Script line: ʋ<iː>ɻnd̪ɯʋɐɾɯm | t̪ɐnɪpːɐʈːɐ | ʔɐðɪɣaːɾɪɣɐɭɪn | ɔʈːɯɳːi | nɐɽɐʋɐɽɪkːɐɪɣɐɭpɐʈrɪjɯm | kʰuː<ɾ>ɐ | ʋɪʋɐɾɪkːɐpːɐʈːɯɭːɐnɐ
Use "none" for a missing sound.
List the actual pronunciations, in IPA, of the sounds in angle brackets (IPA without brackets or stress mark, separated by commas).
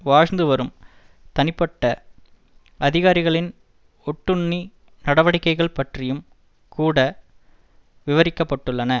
aː, ɽ